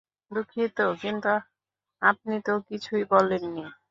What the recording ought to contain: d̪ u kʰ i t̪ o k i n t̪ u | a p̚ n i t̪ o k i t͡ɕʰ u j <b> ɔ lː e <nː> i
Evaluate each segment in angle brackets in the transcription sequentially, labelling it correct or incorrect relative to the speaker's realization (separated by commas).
correct, correct